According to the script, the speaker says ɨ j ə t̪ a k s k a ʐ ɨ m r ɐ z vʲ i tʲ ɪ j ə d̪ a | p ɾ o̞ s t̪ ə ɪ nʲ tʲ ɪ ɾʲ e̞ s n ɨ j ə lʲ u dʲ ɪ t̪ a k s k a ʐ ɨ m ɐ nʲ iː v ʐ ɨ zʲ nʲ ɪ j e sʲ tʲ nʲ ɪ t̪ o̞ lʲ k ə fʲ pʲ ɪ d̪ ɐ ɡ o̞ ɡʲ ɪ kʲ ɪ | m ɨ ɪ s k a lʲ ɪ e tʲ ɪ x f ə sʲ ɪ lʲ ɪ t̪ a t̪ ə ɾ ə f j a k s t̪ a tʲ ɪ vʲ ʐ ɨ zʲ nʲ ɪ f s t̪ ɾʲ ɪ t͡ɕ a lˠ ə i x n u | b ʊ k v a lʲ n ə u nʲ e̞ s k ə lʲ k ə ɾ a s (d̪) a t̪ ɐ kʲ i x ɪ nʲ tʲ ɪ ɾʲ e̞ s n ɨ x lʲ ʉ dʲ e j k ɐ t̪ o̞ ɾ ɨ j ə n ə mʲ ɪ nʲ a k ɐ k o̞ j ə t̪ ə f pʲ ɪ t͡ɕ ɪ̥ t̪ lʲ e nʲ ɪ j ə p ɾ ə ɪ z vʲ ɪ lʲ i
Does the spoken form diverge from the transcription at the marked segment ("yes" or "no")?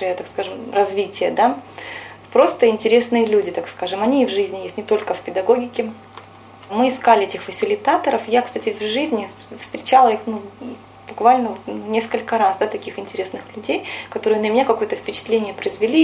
no